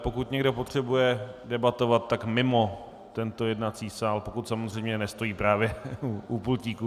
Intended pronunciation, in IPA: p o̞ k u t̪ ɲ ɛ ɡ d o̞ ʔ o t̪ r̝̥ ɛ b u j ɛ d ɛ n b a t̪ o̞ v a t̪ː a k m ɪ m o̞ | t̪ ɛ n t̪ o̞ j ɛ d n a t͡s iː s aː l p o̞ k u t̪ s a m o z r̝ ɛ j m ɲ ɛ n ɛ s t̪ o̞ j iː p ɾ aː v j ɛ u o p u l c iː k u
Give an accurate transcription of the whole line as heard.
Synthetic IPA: p o̞ k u t̪ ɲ ɛ ɡ d o̞ p o t̪ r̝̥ ɛ b u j ɛ d ɛ b a t̪ o̞ v a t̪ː a k m ɪ m o̞ | t̪ ɛ n t̪ o̞ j ɛ d n a t͡s iː s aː l p o̞ k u t̪ s a m o z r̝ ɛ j m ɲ ɛ n ɛ s t̪ o̞ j iː p ɾ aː v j ɛ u u p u l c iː k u